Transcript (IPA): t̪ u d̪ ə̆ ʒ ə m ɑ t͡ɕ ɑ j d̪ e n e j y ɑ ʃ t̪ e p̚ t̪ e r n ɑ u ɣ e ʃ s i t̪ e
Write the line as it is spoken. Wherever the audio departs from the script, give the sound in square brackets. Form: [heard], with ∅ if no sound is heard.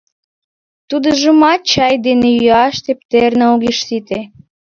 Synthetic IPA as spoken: t̪ u d̪ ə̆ ʒ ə m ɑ t͡ɕ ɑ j d̪ e n e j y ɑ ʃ t̪ e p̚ t̪ e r n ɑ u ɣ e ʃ s i t̪ e